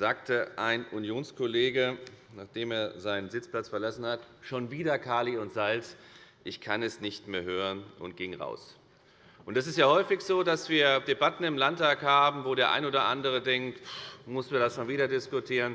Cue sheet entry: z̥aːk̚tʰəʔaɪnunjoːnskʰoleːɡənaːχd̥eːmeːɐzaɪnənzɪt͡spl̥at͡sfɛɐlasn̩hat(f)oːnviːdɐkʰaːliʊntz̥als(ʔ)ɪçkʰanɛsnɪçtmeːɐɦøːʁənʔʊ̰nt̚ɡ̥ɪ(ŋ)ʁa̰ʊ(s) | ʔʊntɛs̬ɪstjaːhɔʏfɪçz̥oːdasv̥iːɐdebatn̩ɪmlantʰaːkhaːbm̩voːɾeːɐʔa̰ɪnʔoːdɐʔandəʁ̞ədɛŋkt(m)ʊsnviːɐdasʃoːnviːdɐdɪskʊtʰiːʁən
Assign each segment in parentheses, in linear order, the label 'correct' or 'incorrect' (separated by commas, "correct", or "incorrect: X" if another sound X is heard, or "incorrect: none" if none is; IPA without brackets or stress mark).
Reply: incorrect: ʃ, correct, correct, correct, correct